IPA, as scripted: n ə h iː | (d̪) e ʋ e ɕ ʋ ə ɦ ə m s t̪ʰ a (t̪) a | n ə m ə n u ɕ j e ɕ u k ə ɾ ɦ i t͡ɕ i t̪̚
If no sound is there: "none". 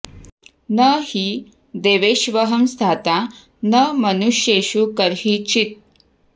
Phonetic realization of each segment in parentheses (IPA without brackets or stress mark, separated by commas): d̪, t̪